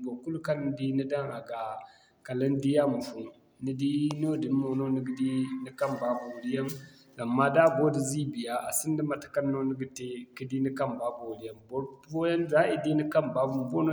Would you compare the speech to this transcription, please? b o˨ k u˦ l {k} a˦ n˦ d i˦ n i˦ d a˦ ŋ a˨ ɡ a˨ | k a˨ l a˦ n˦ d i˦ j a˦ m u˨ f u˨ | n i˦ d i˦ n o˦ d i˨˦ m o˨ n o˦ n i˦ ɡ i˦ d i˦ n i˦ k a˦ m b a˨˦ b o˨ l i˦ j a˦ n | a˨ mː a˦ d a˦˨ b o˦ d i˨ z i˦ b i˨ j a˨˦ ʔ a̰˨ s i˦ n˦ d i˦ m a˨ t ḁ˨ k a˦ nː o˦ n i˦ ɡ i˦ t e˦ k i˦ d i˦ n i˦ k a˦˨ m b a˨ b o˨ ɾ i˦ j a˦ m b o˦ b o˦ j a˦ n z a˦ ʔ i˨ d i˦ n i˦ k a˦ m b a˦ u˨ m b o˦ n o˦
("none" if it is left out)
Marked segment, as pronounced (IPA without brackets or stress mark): k